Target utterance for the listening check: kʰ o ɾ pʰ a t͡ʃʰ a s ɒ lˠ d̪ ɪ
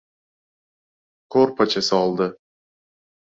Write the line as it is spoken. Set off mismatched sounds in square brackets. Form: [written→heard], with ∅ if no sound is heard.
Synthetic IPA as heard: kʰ o ɾ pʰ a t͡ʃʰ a s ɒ lˠ d̪ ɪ